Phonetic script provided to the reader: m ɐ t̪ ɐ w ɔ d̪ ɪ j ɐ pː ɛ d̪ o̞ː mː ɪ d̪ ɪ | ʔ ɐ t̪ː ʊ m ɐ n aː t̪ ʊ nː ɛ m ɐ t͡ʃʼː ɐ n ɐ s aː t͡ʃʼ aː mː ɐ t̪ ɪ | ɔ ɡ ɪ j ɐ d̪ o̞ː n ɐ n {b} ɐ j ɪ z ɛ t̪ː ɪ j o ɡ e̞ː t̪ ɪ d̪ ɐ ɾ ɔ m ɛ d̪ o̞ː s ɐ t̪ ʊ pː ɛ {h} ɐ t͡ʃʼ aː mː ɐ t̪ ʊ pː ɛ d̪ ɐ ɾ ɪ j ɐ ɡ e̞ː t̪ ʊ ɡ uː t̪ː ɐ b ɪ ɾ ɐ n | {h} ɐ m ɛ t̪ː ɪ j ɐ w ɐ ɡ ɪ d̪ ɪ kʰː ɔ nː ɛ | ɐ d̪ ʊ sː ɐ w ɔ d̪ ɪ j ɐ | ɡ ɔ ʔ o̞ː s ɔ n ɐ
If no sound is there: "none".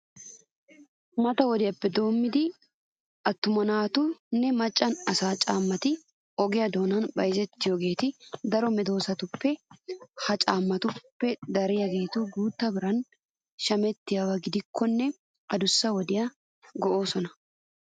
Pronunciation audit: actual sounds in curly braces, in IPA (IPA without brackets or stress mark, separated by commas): b, h, ʃ